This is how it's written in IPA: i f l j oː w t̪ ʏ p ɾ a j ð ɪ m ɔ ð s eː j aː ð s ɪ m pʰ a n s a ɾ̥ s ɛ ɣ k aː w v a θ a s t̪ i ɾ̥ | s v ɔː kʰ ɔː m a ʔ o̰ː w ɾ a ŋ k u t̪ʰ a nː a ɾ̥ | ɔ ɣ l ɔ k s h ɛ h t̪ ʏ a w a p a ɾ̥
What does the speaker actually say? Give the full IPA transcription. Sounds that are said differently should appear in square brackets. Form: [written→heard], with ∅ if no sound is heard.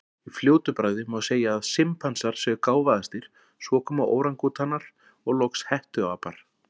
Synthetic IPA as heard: i f l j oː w t̪ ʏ p ɾ a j ð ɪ m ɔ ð s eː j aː ð s ɪ m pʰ a n s a ɾ̥ s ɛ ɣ k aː w v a [θ→ð] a s t̪ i ɾ̥ | s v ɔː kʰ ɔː m a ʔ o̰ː w ɾ a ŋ k u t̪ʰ a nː a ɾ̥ | ɔ ɣ l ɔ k s h ɛ h t̪ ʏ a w a p a ɾ̥